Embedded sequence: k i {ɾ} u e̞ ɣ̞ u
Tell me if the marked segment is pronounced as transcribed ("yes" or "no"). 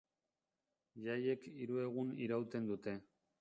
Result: yes